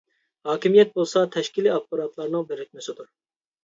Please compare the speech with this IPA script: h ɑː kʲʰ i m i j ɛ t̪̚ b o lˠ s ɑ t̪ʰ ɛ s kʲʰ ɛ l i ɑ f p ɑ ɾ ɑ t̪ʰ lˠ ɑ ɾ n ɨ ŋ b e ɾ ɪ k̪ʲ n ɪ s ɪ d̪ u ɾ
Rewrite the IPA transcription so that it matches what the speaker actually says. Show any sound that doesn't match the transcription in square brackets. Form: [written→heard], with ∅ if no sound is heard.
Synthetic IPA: h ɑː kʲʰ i m i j ɛ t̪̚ b o lˠ s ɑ t̪ʰ ɛ [s→ʃ] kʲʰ [ɛ→i] l i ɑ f p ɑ ɾ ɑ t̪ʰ lˠ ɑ ɾ n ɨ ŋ b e ɾ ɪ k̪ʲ [n→m] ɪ s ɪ d̪ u ɾ